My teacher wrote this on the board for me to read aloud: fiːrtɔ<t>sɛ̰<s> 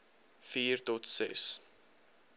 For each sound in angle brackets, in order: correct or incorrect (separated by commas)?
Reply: correct, correct